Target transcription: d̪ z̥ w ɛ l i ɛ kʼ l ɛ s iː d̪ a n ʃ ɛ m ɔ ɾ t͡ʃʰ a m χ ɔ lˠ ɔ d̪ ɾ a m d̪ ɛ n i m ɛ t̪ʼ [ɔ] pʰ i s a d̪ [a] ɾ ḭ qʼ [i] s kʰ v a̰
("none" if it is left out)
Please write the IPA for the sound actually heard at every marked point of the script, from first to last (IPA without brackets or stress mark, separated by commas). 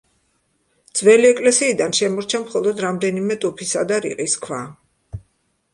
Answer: u, a, i